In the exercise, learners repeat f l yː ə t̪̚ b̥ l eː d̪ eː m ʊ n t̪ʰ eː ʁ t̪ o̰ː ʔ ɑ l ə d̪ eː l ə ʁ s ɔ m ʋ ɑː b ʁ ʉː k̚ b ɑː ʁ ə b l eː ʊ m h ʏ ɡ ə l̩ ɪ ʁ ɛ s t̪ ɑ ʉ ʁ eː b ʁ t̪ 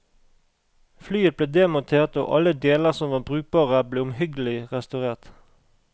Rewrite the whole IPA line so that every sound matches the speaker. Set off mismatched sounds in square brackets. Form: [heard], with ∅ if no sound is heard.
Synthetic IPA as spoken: f l yː ə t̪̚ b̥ l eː d̪ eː m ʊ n t̪ʰ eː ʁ t̪ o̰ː ʔ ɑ l ə d̪ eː l ə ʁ s ɔ m ʋ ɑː b ʁ ʉː k̚ b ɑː ʁ ə b l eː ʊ m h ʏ ɡ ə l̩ ɪ ʁ ɛ s t̪ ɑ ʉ ʁ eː [∅] ʁ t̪